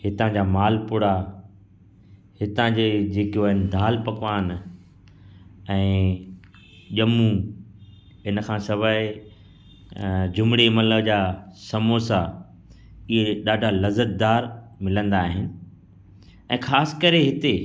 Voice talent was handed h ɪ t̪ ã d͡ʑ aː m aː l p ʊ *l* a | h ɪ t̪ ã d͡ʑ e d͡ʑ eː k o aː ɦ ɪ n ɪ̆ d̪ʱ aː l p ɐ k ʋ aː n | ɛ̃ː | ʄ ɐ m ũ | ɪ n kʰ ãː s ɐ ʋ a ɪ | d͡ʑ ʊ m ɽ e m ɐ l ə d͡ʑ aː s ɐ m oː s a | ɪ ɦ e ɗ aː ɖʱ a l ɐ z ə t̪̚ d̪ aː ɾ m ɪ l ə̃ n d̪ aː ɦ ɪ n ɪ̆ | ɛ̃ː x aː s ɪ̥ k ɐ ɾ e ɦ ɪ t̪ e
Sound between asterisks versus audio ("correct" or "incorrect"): incorrect